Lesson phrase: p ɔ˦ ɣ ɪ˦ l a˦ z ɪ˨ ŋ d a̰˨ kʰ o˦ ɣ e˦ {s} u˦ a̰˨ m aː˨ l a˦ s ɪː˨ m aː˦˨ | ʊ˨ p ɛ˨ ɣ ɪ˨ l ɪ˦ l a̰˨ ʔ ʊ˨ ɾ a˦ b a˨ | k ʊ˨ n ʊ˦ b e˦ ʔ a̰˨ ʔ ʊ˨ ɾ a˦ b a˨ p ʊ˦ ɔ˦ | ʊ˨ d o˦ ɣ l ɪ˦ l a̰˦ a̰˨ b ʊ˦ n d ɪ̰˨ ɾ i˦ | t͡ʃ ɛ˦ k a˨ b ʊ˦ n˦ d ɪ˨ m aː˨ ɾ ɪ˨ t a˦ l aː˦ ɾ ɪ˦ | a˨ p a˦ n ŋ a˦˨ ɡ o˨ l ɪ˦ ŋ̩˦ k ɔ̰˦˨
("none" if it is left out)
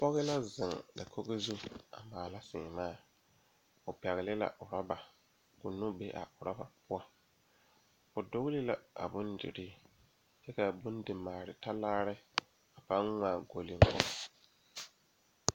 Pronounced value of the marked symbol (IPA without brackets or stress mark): z